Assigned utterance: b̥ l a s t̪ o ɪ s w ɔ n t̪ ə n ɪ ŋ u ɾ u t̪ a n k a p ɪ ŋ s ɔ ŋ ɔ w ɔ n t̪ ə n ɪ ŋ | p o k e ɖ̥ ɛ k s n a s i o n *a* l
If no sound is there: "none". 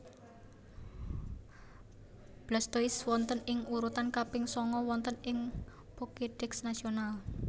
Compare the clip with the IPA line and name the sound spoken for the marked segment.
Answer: a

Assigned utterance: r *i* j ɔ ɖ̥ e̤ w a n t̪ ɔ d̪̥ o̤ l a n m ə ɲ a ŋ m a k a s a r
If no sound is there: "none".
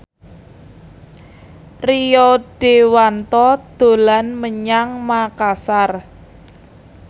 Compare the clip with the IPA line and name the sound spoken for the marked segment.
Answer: i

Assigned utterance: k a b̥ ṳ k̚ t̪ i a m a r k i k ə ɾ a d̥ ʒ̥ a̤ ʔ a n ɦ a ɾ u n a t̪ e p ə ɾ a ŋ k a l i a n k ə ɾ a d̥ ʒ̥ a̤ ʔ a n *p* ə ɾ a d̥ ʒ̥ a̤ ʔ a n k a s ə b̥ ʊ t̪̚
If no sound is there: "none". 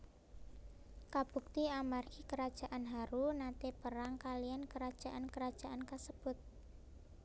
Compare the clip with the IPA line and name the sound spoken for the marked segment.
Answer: k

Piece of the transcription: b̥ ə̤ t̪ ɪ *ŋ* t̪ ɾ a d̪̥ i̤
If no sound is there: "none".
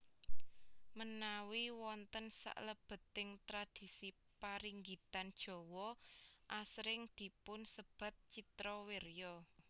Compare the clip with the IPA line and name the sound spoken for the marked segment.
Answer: ŋ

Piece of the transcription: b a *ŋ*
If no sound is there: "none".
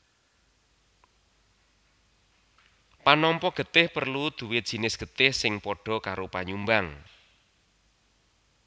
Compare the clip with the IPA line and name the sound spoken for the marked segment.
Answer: ŋ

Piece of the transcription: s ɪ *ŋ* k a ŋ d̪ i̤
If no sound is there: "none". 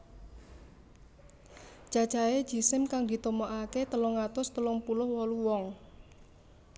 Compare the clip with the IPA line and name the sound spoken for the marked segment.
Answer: m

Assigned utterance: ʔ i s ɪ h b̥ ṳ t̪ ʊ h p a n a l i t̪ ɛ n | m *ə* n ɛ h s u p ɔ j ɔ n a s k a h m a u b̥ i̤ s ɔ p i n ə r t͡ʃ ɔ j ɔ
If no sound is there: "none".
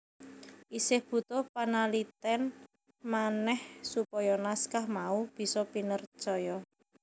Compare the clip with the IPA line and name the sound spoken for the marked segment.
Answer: a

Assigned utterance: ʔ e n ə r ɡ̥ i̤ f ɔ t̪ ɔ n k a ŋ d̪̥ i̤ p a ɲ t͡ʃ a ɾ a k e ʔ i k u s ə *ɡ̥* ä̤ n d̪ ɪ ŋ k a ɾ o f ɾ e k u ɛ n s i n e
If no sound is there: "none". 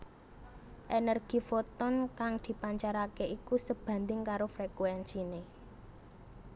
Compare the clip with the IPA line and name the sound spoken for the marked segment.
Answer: b̥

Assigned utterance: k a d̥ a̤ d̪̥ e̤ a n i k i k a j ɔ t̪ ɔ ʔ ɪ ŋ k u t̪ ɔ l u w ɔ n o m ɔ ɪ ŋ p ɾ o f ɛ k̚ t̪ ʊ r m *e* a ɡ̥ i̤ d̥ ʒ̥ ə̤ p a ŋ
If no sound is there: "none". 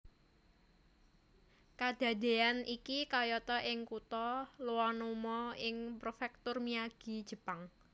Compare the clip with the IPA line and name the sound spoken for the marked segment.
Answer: i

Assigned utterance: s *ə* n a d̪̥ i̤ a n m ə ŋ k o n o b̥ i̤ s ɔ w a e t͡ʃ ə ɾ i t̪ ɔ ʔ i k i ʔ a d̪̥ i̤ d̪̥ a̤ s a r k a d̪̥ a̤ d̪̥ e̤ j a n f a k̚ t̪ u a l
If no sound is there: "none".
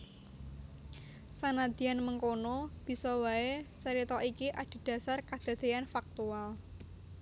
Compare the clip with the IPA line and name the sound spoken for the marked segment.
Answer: a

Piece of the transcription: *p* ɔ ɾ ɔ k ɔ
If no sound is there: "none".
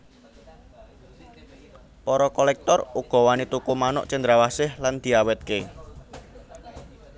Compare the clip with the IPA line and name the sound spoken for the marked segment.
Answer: p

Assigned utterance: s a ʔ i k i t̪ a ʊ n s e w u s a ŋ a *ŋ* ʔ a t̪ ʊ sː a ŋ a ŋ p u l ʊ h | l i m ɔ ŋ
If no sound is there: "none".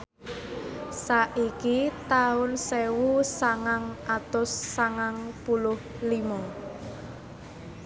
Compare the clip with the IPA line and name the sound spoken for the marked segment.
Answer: ŋ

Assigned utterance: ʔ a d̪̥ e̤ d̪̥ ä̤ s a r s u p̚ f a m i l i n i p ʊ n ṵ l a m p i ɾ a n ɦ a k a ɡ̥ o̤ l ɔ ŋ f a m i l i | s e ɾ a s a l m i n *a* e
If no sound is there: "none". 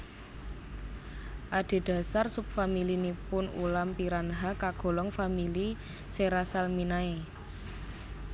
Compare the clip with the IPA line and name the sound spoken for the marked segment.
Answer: a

